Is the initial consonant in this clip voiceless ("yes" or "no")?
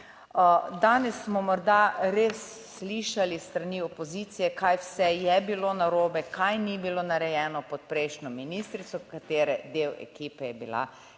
no